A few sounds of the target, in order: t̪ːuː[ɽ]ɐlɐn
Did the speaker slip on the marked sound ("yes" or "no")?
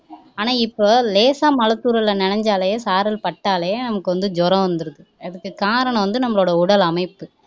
yes